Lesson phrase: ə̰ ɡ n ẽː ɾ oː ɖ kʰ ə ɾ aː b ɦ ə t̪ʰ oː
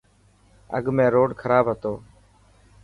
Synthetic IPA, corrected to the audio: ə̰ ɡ m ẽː ɾ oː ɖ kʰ ə ɾ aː b ɦ ə t̪ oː